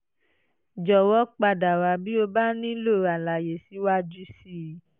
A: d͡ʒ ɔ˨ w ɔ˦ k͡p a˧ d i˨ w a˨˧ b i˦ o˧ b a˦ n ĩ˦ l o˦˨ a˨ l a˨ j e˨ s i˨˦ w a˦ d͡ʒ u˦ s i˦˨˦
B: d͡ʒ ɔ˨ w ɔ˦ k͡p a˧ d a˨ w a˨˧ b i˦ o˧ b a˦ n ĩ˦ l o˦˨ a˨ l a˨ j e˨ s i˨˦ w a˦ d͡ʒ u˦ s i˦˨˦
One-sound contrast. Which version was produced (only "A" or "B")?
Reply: B